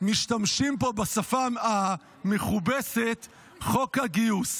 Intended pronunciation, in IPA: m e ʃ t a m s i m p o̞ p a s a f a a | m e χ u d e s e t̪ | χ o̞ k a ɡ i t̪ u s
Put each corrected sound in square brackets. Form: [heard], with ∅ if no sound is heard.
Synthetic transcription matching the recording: m [i] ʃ t a m [ʃ] i m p o̞ [b] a s a f a a | m e χ u [b] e s e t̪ | χ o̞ k a ɡ i [∅] u s